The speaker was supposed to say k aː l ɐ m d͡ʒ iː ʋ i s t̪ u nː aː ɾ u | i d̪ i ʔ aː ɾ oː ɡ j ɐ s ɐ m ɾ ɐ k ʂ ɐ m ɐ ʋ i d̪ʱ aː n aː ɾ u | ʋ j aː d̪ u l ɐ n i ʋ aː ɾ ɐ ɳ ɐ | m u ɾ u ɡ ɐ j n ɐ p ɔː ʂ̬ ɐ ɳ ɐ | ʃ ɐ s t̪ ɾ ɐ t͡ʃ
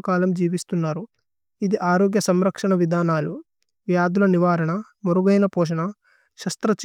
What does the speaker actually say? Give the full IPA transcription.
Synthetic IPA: k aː l ɐ m d͡ʒ iː ʋ i s t̪ u nː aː ɾ u | i d̪ i ʔ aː ɾ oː ɡ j ɐ s ɐ m ɾ ɐ k ʂ ɐ ɳ ɐ ʋ i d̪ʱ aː n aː l u | ʋ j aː d̪ u l ɐ n i ʋ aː ɾ ɐ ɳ ɐ | m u ɾ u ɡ ɐ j n ɐ p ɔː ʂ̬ ɐ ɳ ɐ | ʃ ɐ s t̪ ɾ ɐ t͡ʃ